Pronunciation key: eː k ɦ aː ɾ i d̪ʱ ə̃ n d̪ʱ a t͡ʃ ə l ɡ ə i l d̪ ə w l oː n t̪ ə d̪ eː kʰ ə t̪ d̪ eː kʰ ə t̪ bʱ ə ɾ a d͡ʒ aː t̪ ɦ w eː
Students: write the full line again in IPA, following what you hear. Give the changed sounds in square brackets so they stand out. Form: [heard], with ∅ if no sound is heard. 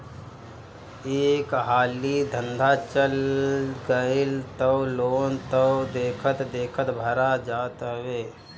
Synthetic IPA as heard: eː k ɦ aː [l] i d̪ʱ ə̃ n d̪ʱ a t͡ʃ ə l ɡ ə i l [t̪] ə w l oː n t̪ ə d̪ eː kʰ ə t̪ d̪ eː kʰ ə t̪ bʱ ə ɾ a d͡ʒ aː t̪ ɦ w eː